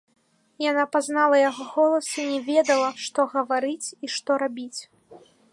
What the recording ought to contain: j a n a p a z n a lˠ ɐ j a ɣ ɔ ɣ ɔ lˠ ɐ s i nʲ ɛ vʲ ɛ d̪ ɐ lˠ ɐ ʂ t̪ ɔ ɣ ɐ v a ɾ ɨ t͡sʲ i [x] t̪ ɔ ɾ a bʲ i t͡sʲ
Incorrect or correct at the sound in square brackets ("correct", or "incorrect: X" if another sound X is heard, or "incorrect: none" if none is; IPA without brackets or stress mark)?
incorrect: ʂ